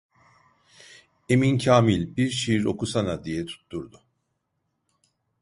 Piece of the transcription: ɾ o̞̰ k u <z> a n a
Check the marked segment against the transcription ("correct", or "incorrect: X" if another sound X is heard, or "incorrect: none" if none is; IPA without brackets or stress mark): incorrect: s